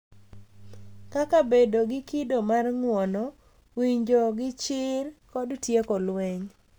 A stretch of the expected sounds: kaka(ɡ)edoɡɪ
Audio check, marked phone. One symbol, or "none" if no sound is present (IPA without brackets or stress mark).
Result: b